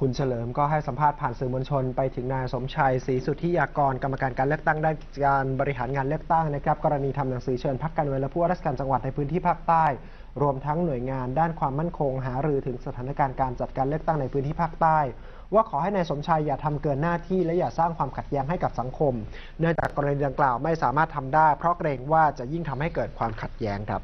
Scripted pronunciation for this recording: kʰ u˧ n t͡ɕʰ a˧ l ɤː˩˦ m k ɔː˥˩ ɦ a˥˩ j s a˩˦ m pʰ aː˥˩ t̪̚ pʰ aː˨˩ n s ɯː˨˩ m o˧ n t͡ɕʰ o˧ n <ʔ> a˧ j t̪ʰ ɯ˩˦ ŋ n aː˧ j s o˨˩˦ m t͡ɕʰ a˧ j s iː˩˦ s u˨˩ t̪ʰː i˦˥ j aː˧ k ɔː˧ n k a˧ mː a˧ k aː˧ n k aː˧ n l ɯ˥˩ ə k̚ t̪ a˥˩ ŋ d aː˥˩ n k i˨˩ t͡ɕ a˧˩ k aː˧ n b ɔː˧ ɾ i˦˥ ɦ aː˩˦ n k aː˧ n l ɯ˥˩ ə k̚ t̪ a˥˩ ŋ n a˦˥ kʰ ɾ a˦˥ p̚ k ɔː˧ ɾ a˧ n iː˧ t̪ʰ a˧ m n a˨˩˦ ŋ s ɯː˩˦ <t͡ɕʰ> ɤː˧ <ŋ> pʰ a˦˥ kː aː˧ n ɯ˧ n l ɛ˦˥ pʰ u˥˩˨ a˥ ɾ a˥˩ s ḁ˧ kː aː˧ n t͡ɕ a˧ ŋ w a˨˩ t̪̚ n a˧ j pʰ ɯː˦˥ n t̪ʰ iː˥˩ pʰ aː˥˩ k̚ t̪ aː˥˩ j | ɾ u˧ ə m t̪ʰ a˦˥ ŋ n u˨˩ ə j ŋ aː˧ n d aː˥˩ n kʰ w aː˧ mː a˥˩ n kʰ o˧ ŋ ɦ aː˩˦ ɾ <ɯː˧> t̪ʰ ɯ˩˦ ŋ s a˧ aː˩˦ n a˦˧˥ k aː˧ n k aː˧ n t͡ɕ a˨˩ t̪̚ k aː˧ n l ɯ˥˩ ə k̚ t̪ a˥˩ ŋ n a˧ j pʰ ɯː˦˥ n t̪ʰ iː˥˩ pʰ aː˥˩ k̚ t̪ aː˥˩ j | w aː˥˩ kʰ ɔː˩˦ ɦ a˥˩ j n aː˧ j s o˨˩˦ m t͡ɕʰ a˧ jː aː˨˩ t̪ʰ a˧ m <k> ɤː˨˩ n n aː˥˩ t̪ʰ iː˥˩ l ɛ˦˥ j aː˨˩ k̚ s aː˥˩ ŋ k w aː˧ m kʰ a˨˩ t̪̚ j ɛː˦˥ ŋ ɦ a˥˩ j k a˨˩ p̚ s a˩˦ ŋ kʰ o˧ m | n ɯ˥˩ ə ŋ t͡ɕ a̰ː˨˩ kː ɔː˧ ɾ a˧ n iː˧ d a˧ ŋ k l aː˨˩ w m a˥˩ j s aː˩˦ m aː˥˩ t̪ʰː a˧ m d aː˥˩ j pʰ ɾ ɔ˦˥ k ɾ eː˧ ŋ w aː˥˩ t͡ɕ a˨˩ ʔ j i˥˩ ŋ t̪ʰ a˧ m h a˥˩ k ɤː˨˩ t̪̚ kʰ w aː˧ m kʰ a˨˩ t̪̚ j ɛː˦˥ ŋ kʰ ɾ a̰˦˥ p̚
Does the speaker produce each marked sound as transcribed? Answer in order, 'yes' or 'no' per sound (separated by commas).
no, yes, no, yes, yes